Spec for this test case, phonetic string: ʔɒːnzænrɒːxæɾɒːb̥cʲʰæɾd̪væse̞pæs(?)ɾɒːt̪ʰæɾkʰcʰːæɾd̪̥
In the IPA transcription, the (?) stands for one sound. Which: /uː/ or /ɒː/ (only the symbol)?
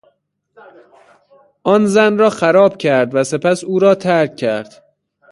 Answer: uː